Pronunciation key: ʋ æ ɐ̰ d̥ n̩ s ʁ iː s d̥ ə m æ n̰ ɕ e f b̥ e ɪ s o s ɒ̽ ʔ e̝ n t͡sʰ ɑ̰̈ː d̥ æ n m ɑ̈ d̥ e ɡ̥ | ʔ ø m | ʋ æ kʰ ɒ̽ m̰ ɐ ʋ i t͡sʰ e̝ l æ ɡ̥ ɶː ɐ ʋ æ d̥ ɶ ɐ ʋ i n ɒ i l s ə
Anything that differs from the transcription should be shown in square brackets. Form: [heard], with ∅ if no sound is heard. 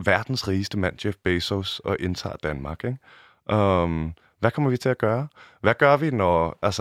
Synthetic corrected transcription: ʋ æ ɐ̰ d̥ n̩ s ʁ iː s d̥ ə m æ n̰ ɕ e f b̥ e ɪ s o s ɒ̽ ʔ e̝ n t͡sʰ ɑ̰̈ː d̥ æ n m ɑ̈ [ɡ̥] e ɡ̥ | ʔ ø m | ʋ æ kʰ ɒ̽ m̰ ɐ ʋ i t͡sʰ e̝ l æ ɡ̥ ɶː ɐ ʋ æ [ɡ̥] ɶ ɐ ʋ i n ɒ [æ] l s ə